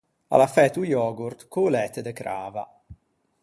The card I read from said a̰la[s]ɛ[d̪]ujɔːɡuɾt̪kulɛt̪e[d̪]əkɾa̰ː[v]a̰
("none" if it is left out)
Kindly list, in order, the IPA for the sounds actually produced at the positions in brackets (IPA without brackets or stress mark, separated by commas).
f, t̪, d̪, v